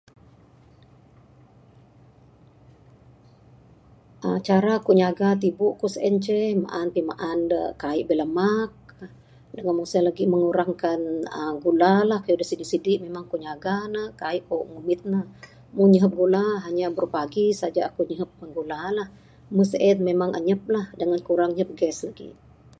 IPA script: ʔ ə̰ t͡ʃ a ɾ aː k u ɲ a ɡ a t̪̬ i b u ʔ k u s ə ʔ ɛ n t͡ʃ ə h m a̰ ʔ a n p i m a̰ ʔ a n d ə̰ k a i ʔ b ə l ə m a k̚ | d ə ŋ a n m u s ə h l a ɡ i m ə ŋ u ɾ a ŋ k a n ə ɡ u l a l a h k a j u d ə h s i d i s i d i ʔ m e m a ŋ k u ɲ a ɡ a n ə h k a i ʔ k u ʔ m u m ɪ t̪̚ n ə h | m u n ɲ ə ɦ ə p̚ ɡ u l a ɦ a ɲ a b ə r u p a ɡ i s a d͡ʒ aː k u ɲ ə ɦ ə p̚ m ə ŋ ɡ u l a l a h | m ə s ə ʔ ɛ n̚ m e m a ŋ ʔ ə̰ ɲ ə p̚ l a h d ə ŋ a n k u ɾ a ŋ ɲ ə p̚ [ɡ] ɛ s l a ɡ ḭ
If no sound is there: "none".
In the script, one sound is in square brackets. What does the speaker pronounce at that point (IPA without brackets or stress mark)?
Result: ɡ